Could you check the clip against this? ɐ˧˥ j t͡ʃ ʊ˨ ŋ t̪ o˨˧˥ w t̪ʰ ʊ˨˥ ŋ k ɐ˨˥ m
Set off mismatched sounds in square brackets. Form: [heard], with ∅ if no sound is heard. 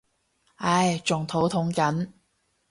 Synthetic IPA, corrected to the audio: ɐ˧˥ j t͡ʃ ʊ˨ ŋ [t̪ʰ] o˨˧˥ w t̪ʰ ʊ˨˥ ŋ k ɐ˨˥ [n]